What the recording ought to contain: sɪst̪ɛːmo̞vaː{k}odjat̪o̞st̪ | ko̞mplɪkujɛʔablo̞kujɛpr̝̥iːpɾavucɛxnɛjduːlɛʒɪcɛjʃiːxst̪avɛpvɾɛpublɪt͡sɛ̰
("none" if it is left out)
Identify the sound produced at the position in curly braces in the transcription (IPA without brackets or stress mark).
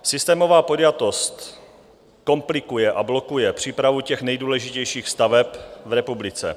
p